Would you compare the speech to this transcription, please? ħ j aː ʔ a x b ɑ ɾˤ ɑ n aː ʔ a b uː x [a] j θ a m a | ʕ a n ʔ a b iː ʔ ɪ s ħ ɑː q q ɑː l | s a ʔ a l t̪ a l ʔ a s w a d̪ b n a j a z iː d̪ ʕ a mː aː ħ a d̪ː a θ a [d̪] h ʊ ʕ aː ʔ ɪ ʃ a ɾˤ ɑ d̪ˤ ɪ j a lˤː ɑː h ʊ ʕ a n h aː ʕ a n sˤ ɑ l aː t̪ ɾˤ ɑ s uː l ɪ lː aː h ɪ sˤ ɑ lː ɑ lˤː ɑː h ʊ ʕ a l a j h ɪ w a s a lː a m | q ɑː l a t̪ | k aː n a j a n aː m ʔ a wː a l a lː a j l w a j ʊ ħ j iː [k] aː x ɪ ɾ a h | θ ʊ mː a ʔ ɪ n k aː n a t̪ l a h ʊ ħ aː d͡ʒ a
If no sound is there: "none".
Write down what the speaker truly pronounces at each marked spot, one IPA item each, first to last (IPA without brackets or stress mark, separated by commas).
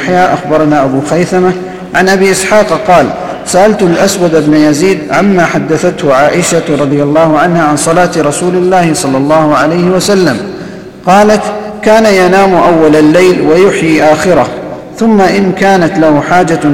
a, t̪, ʔ